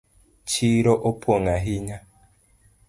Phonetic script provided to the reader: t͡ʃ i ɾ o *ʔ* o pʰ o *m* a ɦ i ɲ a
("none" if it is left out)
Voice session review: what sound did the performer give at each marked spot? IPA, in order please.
ʔ, ŋ

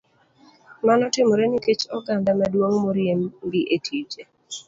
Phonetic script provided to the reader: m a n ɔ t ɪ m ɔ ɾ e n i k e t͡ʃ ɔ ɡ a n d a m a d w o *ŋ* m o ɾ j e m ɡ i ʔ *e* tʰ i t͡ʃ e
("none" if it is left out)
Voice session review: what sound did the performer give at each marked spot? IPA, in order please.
ŋ, e

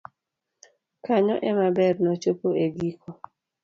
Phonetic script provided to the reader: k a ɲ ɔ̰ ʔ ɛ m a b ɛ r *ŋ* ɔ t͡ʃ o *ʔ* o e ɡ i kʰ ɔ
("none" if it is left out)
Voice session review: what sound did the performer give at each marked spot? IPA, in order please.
n, p

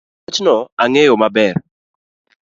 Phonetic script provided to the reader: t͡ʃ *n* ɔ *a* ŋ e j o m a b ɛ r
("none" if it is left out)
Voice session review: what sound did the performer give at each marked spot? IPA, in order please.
n, a

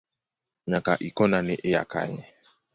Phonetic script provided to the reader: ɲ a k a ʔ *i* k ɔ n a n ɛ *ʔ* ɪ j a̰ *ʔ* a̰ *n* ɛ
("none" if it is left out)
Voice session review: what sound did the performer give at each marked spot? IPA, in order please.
i, ʔ, k, ɲ

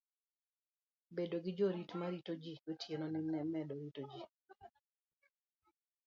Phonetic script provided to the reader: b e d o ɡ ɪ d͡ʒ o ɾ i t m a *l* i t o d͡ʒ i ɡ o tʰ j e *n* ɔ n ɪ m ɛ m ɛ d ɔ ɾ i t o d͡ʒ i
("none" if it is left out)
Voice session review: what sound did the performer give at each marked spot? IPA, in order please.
ɾ, n

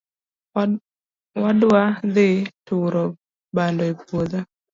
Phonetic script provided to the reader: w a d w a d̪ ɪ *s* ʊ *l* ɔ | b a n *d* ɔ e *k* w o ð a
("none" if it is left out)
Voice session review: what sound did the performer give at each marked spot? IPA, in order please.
t, ɾ, d, p

